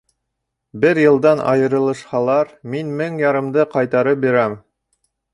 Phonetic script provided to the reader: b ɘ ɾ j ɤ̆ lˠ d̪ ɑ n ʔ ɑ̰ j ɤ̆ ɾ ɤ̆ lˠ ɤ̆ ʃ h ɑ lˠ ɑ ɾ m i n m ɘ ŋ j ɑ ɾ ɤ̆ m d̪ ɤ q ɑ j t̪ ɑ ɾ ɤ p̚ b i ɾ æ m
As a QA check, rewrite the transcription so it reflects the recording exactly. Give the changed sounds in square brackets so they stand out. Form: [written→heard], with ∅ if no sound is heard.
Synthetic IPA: b ɘ ɾ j ɤ̆ lˠ d̪ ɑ n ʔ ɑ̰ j ɤ̆ ɾ ɤ̆ lˠ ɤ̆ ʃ h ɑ lˠ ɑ ɾ m i n m ɘ ŋ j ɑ ɾ ɤ̆ m d̪ ɤ q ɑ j t̪ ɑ ɾ ɤ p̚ b i ɾ æ m